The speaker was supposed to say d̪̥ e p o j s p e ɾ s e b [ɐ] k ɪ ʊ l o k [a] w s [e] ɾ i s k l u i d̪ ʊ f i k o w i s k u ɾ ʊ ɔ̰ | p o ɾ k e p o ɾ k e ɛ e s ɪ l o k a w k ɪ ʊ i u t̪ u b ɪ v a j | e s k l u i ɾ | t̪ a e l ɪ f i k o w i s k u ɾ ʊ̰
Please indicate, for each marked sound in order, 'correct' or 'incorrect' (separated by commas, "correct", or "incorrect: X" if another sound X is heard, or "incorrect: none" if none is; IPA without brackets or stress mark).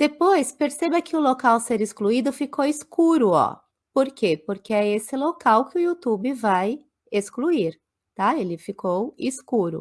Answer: correct, correct, correct